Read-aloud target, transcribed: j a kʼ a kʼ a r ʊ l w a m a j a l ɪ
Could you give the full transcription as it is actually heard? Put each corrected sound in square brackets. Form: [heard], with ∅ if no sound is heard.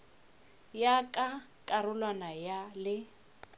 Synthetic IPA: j a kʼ a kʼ a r ʊ l w a [n] a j a l ɪ